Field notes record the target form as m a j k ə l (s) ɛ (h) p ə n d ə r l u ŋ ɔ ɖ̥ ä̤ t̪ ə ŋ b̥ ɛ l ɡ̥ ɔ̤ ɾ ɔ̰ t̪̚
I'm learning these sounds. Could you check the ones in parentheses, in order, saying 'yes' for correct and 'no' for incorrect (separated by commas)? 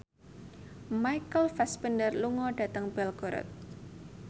no, no